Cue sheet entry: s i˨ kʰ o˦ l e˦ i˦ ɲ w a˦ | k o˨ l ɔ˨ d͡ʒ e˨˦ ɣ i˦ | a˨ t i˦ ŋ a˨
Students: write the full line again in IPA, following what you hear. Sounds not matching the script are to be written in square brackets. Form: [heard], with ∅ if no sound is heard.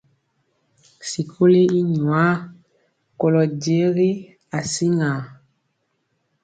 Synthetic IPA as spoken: s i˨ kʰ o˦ l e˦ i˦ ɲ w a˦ | k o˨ l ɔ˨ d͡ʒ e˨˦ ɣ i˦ | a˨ [s] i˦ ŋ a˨